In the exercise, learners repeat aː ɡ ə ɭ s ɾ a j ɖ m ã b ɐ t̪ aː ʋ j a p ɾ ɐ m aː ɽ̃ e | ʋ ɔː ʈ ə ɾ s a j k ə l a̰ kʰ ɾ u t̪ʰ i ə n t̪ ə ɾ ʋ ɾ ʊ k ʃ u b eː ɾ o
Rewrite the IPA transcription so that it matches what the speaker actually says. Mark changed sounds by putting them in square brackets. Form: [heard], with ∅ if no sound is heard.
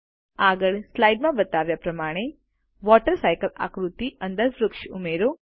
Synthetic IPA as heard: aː ɡ ə ɭ s [l] a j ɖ m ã b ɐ t̪ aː ʋ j a p ɾ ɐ m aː ɽ̃ e | ʋ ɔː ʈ ə ɾ s a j k ə l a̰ [k] ɾ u [t̪] i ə n [d̪] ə ɾ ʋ ɾ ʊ k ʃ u [m] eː ɾ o